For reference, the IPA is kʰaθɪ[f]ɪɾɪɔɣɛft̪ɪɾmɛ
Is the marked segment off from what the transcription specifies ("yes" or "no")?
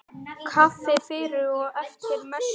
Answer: no